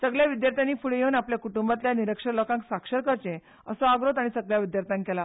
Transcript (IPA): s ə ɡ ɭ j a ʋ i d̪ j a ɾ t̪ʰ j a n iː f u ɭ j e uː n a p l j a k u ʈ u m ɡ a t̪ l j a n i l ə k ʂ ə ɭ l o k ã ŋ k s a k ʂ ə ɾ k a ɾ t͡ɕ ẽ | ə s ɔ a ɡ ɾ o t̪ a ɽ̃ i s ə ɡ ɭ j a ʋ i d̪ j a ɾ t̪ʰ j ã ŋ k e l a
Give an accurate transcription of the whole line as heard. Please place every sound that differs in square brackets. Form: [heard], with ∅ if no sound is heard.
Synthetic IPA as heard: s ə ɡ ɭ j a ʋ i d̪ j a ɾ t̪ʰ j a n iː f u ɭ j e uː n a p l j a k u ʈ u m [b] a t̪ l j a n i [ɾ] ə k ʂ ə [ɾ] l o k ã ŋ k s a k ʂ ə ɾ k [ə] ɾ t͡ɕ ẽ | ə s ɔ a ɡ ɾ o t̪ a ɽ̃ i s ə ɡ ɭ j a ʋ i d̪ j a ɾ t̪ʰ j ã ŋ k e l a